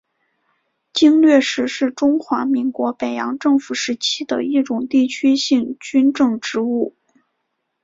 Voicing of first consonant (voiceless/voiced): voiceless